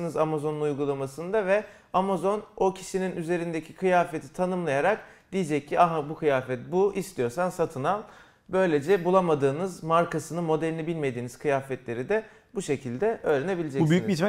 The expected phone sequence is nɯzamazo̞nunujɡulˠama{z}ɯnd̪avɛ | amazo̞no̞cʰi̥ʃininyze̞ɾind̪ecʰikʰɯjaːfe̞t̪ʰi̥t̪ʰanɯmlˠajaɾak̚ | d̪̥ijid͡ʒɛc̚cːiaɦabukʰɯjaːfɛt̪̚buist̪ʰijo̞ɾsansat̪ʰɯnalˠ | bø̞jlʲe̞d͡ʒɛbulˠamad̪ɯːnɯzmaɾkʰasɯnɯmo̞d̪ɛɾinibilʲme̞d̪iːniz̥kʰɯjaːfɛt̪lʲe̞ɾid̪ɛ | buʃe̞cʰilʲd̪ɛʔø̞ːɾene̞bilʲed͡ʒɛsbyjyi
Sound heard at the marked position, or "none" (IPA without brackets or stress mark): s